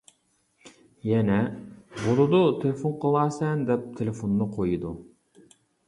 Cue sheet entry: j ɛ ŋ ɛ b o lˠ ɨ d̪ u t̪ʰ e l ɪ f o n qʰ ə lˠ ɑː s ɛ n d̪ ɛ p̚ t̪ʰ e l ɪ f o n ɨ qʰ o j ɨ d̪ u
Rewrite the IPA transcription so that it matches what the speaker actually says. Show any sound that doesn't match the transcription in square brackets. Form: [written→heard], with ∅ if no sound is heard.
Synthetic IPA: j ɛ [ŋ→n] ɛ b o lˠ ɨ d̪ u t̪ʰ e l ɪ f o n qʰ ə lˠ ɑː s ɛ n d̪ ɛ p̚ t̪ʰ e l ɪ f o [n→nː] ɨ qʰ o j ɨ d̪ u